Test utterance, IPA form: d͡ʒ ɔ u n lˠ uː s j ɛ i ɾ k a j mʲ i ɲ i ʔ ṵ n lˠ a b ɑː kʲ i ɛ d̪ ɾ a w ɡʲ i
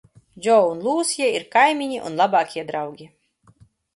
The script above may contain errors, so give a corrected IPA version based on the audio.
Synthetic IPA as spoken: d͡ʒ ɔ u n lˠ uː s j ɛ i ɾ k a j mʲ i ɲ i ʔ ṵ n lˠ a b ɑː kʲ i ɛ d̪ ɾ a w ɡʲ i